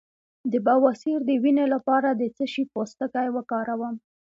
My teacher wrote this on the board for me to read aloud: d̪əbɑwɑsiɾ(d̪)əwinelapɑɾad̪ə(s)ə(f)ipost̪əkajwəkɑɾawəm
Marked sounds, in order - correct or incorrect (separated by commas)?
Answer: correct, incorrect, incorrect